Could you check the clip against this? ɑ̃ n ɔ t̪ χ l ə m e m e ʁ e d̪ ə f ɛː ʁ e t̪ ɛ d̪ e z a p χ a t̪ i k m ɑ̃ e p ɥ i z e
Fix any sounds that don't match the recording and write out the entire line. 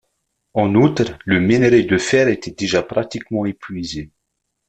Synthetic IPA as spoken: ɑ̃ n u t̪ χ l ə m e n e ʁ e d̪ ə f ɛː ʁ e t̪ ɛ d̪ e ʒ a p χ a t̪ i k m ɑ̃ e p ɥ i z e